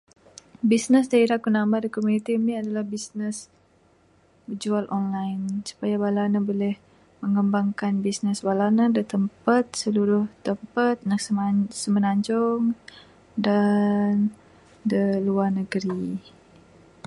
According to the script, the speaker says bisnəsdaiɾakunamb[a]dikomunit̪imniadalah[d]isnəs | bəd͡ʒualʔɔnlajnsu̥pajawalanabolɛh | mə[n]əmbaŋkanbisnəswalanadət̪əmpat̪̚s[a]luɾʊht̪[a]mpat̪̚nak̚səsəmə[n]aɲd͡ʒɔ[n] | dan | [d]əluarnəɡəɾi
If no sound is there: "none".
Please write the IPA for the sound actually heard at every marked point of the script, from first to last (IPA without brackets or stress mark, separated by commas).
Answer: a, b, ŋ, ə, ə, n, ŋ, d